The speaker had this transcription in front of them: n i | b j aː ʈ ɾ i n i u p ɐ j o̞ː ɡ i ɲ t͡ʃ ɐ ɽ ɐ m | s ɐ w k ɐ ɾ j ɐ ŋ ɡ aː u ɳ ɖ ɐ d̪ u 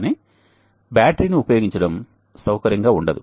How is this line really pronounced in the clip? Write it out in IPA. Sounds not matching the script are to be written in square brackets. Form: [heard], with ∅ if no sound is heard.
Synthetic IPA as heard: n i | b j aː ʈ ɾ i n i u p ɐ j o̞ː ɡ i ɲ t͡ʃ ɐ ɽ ɐ m | s ɐ w k ɐ ɾ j ɐ ŋ ɡ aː u ɳ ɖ ɐ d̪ u

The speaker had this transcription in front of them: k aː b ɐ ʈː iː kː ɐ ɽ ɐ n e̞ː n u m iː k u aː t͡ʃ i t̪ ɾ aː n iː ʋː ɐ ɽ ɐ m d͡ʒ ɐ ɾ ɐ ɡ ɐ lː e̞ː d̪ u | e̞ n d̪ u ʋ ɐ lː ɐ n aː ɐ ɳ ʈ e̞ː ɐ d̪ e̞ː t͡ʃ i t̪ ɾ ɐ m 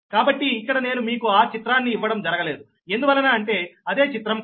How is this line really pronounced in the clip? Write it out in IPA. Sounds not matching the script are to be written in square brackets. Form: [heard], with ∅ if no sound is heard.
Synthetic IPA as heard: k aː b ɐ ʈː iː kː ɐ ɽ ɐ n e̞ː n u m iː k u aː t͡ʃ i t̪ ɾ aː [nː] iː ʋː ɐ ɽ ɐ m d͡ʒ ɐ ɾ ɐ ɡ ɐ [l] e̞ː d̪ u | e̞ n d̪ u ʋ ɐ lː ɐ n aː ɐ ɳ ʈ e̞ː ɐ d̪ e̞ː t͡ʃ i t̪ ɾ ɐ m

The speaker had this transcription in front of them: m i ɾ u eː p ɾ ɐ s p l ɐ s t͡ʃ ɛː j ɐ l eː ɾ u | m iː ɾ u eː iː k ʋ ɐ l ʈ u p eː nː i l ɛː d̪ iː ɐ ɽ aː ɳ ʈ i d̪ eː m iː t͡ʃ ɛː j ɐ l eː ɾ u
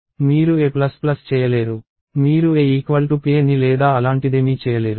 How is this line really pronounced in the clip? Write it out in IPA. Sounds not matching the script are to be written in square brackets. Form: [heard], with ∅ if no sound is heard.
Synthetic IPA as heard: m [iː] ɾ u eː p [l] ɐ s p l ɐ s t͡ʃ ɛː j ɐ l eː ɾ u | m iː ɾ u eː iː k ʋ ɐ l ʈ u p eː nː i l ɛː d̪ [aː] ɐ [l] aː ɳ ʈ i d̪ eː m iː t͡ʃ ɛː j ɐ l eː ɾ u

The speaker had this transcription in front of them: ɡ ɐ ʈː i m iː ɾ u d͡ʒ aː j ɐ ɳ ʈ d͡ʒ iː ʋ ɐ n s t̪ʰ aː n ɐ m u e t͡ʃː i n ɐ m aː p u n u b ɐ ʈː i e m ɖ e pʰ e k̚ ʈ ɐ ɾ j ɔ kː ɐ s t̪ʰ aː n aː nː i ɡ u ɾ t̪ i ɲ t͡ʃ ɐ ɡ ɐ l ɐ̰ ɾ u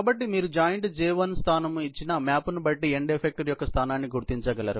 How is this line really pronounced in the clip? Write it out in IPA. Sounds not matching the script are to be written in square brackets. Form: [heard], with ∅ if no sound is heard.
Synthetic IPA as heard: [b] ɐ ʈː i m iː ɾ u d͡ʒ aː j ɐ ɳ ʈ d͡ʒ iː ʋ ɐ n s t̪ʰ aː n ɐ m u [i] t͡ʃː i n ɐ m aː p u n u b ɐ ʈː i e [ɳ] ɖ e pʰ e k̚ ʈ ɐ ɾ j ɔ kː ɐ s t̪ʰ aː n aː nː i ɡ u ɾ t̪ i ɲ t͡ʃ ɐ ɡ ɐ l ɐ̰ ɾ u

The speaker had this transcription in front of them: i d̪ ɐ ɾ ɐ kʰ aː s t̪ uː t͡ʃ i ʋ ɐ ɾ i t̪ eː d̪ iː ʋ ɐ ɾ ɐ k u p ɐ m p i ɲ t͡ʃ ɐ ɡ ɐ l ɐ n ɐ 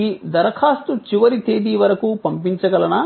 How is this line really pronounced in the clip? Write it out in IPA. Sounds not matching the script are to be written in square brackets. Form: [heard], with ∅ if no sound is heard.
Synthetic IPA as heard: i d̪ ɐ ɾ ɐ kʰ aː s t̪ [u] t͡ʃ i ʋ ɐ ɾ i t̪ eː d̪ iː ʋ ɐ ɾ ɐ k u p ɐ m p i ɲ t͡ʃ ɐ ɡ ɐ l ɐ n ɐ

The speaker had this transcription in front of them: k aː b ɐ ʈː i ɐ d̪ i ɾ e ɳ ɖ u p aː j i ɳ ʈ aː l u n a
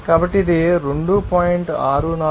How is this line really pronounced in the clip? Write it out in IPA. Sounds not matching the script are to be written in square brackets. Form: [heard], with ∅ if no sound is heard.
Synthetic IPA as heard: k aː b ɐ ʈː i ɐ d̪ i ɾ e ɳ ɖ u p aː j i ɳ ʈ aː [ɾ] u n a

